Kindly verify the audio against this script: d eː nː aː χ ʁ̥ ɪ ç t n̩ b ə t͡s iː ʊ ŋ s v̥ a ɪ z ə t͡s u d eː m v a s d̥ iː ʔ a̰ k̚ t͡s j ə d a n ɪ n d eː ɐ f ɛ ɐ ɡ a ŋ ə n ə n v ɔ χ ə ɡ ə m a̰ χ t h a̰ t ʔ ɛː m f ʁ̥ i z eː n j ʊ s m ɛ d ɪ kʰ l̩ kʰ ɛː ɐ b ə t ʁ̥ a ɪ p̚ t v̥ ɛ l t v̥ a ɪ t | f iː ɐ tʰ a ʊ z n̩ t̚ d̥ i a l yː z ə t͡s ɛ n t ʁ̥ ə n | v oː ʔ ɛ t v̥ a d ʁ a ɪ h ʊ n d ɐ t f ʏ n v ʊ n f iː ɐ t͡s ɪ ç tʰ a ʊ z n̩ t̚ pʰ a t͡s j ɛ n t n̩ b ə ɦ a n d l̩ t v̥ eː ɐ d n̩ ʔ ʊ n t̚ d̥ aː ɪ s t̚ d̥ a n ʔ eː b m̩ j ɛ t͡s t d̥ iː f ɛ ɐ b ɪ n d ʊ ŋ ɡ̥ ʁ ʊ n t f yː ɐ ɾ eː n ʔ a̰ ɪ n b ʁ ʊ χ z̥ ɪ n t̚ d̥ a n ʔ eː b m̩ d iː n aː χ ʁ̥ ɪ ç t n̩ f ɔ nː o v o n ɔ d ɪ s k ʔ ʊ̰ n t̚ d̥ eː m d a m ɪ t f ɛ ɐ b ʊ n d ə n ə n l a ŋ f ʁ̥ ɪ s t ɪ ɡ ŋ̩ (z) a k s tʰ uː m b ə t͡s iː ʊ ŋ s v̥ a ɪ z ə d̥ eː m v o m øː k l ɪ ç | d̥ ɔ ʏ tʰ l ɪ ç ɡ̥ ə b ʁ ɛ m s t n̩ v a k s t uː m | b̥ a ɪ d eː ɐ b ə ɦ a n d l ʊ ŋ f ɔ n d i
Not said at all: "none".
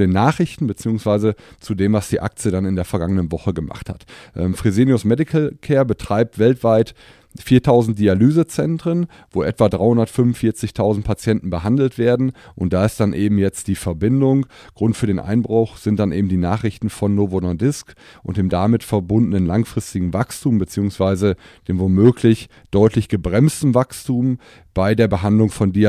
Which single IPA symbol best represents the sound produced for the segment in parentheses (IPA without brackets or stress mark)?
v